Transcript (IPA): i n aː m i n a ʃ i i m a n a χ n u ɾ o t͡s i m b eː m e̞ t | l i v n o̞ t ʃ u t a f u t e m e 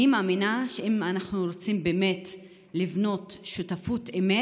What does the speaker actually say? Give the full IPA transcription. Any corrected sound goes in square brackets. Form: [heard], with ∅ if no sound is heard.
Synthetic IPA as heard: i [m] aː m i n a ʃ [e] i m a n a χ n u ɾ o t͡s i m b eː m e̞ t | l i v n o̞ t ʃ u t a f u t e m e